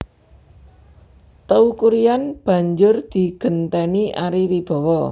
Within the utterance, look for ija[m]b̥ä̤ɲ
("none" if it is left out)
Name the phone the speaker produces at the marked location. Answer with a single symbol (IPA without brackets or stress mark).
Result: n